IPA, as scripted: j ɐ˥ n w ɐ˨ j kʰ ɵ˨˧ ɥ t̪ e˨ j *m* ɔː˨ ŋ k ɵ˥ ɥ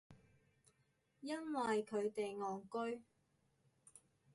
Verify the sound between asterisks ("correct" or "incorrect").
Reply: incorrect